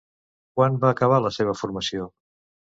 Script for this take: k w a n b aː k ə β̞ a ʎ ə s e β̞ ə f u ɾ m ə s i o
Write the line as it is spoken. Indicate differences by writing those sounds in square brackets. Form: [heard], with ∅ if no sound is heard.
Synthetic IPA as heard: k w a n b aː k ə β̞ a [l] ə s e β̞ ə f u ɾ m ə s i o